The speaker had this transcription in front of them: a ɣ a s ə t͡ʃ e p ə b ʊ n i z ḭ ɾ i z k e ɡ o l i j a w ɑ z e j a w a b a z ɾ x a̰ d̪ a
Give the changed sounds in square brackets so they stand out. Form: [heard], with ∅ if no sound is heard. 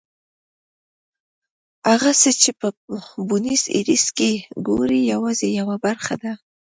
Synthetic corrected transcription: a ɣ a s ə t͡ʃ e p ə b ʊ n i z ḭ ɾ i [s] k e ɡ o [ɾ] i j a w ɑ z e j a w a b a [∅] ɾ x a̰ d̪ a